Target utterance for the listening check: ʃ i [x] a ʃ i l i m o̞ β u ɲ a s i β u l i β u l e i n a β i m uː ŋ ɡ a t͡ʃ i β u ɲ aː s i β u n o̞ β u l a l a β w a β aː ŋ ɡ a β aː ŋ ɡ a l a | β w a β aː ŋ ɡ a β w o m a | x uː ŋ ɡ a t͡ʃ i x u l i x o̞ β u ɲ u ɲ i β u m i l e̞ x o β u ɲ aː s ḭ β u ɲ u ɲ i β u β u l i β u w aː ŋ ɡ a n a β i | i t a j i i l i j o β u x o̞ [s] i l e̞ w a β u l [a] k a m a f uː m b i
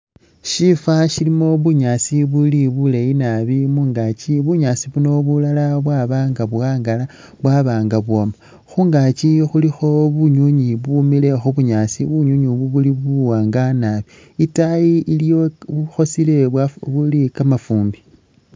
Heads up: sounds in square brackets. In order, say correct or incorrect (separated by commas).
incorrect, correct, incorrect